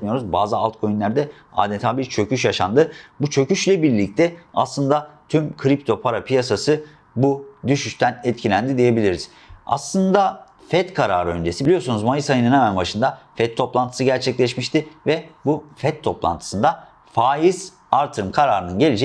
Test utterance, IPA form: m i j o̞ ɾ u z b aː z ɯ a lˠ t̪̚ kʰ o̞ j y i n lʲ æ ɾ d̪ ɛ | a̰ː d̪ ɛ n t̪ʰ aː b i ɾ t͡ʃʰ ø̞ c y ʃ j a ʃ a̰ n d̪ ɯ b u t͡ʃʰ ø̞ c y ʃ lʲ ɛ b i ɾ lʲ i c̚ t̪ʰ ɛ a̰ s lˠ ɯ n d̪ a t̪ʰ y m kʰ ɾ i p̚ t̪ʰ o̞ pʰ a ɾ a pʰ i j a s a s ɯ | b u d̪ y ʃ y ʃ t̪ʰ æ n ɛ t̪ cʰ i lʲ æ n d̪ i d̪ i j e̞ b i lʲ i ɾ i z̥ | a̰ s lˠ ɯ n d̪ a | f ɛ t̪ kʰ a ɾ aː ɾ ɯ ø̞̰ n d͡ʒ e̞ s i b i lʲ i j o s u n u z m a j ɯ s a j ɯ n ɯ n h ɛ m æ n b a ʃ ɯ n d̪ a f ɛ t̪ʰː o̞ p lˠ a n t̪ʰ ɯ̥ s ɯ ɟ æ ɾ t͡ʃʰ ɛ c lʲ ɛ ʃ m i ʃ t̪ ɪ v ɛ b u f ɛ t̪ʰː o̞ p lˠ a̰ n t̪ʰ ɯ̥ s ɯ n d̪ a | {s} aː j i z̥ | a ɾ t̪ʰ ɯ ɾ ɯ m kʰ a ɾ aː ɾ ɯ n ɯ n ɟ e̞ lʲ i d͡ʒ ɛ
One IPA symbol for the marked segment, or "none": f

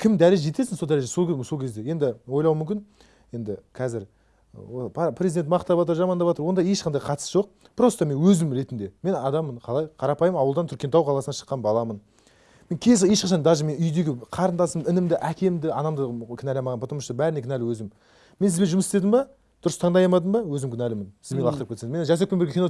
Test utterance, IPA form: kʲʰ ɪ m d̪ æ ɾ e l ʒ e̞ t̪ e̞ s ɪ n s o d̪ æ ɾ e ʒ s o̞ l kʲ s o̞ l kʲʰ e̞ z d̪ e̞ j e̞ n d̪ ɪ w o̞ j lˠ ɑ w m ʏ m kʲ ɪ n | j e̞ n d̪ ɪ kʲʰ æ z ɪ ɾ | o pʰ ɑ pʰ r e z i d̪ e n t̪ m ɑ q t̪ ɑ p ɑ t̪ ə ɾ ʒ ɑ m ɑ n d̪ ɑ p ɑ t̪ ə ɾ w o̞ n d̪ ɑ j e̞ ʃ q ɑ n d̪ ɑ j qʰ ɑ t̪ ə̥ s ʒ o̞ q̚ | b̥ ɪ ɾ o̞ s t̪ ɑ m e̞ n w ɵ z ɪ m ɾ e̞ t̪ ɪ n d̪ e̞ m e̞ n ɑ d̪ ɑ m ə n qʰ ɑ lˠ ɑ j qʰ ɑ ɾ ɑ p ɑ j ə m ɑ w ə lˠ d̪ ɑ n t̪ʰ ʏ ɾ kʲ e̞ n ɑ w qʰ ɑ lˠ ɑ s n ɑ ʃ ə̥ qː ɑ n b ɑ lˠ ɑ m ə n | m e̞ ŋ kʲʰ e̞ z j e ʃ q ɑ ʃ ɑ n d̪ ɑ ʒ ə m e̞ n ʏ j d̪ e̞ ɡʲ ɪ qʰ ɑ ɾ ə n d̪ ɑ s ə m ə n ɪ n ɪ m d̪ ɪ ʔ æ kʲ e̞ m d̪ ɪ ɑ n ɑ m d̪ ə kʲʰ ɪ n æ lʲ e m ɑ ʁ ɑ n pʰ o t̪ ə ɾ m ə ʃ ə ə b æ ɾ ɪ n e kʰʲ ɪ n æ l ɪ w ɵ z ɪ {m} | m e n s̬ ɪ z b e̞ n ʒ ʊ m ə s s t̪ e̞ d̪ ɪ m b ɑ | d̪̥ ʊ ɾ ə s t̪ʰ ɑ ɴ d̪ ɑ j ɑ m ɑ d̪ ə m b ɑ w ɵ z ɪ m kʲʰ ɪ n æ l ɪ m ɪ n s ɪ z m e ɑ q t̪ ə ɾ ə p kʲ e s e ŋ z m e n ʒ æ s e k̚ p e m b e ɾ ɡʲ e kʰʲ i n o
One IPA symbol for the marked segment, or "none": m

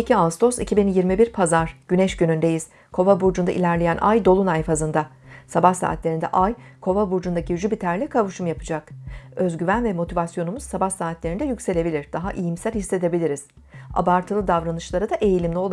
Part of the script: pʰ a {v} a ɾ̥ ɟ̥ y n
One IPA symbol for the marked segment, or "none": z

